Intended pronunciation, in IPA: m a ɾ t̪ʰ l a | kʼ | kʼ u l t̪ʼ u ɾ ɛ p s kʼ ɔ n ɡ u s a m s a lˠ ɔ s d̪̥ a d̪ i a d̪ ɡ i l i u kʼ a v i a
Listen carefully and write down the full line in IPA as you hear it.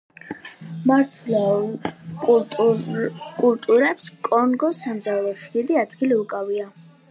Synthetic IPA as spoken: m a ɾ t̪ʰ l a | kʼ | kʼ u l t̪ʼ u ɾ ɛ p s kʼ ɔ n ɡ ɔ s a m z a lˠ ɔ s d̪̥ i d̪ i a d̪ ɡ i l i u kʼ a v i a